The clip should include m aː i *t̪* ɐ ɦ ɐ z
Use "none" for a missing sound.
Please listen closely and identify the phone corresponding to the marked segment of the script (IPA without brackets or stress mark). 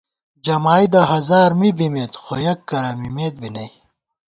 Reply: d̪